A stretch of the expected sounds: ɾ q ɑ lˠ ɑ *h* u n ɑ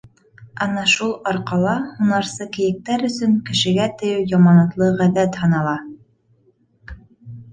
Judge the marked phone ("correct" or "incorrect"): correct